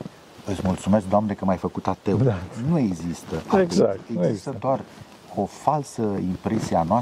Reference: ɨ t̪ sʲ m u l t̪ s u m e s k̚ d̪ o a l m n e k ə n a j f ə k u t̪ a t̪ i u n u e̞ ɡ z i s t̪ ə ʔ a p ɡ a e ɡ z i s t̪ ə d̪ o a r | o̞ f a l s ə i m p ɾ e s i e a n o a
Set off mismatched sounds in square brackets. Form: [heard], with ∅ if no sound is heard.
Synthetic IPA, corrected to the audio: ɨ t̪ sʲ m u l t̪ s u m e s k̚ d̪ o a [∅] m n e k ə [m] a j f ə k u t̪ a t̪ [e] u n u e̞ ɡ z i s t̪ ə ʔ a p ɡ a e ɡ z i s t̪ ə d̪ o a r | o̞ f a l s ə i m p ɾ e s i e a n o a